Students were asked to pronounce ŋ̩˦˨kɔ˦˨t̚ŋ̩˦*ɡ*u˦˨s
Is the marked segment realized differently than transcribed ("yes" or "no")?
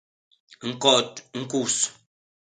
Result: yes